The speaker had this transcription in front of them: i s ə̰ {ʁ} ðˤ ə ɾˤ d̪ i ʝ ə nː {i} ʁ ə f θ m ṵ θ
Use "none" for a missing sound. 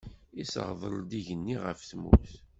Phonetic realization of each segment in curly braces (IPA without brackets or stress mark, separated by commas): ʁ, i